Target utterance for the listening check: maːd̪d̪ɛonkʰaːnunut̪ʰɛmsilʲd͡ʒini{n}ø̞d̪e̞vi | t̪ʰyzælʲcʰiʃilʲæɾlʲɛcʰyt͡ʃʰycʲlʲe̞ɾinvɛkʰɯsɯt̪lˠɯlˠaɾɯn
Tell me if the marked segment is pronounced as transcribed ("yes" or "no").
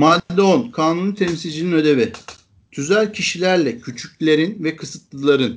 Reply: yes